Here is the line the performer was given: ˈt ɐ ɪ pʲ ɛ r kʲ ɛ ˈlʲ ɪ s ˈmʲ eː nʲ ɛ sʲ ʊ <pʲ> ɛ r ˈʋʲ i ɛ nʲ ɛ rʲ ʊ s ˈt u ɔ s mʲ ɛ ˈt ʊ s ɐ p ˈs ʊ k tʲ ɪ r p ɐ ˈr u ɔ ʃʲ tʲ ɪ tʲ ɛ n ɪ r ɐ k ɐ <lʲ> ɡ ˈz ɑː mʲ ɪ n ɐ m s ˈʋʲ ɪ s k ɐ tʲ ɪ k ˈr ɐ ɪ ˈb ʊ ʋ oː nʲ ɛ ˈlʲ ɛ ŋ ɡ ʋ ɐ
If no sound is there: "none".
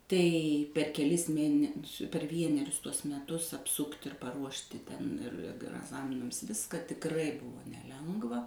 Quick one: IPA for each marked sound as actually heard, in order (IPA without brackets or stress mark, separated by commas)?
pʲ, none